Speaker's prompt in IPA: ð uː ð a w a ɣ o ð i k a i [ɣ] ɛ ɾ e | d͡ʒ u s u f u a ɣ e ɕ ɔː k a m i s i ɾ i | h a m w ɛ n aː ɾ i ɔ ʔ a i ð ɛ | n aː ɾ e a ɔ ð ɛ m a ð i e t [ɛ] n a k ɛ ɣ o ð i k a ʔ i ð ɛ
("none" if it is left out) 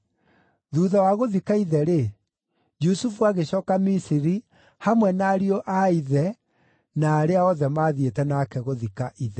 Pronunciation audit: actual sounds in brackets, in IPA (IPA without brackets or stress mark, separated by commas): ð, ɛ